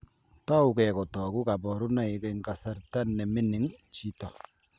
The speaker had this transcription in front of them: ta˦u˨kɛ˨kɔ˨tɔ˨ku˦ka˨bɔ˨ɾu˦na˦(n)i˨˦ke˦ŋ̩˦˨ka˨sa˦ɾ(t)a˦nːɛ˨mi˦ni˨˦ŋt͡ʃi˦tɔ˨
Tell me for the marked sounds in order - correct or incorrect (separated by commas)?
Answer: incorrect, correct